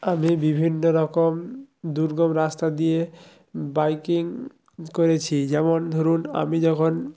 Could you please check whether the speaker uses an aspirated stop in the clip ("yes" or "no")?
yes